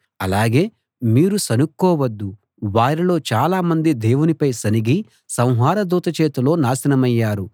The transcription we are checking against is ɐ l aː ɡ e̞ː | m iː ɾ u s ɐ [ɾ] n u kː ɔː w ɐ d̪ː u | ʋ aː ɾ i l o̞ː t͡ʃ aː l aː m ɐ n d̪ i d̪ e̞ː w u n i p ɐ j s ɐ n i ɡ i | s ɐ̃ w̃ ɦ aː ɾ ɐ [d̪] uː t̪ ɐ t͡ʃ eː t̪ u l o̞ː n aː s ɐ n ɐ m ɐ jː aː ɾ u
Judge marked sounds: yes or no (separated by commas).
no, yes